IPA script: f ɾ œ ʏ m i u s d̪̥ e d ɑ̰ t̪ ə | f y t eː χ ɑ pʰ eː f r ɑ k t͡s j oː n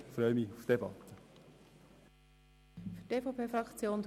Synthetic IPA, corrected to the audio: f ɾ œ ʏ m i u f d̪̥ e b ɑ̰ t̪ ə | f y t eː f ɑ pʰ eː f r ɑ k t͡s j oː n